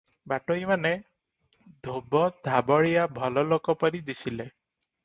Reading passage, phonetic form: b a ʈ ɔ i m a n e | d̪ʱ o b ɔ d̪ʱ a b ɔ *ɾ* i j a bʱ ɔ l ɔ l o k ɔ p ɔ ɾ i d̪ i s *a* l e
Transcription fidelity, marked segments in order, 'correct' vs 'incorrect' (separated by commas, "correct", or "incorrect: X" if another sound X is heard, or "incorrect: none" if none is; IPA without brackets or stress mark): incorrect: ɭ, incorrect: i